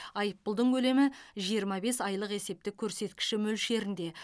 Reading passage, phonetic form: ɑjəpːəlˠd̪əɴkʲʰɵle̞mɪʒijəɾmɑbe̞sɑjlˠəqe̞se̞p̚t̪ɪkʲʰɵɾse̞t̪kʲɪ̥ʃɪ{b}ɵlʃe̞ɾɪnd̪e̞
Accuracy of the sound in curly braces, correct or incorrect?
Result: incorrect: m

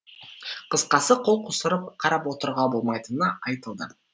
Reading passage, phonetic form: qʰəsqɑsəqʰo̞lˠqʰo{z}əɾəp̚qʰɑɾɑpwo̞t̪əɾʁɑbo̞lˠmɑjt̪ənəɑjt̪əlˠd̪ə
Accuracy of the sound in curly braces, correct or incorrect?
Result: incorrect: s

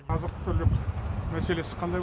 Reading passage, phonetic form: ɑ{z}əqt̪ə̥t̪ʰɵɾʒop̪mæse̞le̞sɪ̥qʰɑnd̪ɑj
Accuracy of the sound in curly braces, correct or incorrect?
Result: correct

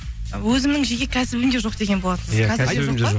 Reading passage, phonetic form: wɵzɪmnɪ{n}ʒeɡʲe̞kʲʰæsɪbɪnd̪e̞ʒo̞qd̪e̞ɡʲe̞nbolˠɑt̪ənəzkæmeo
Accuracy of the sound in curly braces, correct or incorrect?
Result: incorrect: ŋ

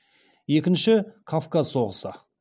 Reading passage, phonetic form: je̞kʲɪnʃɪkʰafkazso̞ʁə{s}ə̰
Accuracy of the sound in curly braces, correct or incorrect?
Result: correct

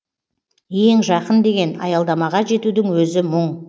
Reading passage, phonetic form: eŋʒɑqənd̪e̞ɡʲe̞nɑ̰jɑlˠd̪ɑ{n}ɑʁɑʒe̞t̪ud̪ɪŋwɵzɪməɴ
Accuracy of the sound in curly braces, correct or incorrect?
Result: incorrect: m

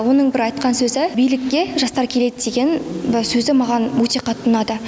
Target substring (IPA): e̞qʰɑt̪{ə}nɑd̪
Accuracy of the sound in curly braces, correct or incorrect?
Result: correct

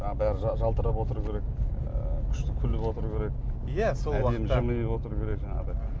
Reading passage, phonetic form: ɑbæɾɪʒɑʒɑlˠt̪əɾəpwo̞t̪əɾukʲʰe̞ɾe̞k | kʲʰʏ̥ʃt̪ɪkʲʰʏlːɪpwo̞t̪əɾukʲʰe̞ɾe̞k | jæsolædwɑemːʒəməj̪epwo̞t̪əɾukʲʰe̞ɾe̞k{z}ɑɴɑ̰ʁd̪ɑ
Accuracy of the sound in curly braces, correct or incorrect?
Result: incorrect: ʒ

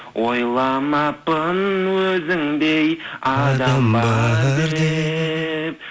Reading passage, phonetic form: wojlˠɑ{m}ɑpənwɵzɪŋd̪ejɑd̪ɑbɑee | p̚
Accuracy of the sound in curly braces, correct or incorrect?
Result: correct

